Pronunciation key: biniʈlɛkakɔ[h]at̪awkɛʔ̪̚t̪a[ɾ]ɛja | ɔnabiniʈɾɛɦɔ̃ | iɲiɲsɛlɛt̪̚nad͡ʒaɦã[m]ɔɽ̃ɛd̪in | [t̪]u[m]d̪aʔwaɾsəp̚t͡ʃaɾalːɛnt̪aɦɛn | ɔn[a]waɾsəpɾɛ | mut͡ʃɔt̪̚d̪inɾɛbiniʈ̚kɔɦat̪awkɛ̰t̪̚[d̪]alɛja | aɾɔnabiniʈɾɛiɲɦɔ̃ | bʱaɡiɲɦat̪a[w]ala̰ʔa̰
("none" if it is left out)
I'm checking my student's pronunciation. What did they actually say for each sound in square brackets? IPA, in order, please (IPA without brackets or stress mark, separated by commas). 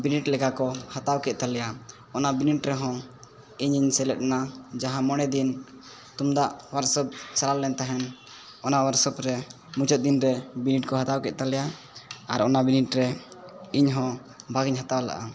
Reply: h, l, m, t̪, m, a, t̪, w